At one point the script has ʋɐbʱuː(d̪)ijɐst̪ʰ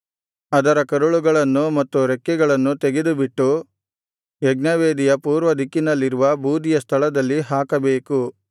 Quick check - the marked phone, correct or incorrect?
correct